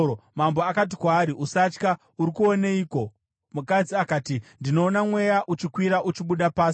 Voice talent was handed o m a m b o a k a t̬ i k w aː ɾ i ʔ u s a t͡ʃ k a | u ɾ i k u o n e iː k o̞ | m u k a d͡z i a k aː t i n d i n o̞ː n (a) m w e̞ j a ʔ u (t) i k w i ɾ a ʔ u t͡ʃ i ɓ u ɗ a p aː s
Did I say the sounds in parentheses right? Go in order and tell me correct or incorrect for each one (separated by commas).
correct, incorrect